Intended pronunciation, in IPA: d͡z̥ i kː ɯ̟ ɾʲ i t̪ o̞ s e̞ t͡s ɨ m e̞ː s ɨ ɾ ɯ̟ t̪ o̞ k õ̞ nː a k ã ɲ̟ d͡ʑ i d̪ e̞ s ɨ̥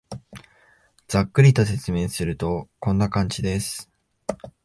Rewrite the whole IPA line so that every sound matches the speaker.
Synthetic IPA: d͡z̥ a kː ɯ̟ ɾʲ i t̪ o̞ s e̞ t͡s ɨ m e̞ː s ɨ ɾ ɯ̟ t̪ o̞ k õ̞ nː a k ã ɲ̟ d͡ʑ i d̪ e̞ s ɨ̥